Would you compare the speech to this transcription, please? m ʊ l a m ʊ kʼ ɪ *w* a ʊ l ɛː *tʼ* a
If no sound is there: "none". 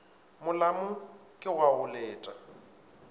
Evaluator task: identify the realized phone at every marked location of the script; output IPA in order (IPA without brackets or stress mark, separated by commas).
w, tʼ